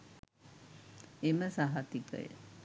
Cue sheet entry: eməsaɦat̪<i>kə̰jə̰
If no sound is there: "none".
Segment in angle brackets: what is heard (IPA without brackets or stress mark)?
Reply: i